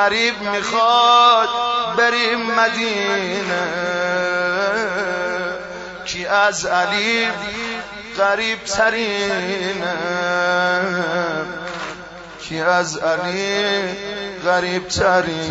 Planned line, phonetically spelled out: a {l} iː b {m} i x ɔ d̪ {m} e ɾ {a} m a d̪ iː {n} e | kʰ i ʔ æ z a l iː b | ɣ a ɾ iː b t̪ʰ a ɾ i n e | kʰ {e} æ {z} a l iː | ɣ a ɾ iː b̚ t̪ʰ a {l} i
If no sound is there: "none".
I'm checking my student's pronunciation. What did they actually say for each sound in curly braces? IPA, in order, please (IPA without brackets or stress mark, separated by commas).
ɾ, m, b, i, n, i, z, ɾ